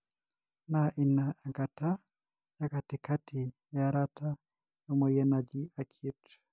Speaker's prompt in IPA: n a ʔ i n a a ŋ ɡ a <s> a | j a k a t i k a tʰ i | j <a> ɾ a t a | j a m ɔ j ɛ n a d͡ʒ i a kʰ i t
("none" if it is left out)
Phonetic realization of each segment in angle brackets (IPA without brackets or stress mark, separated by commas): t, a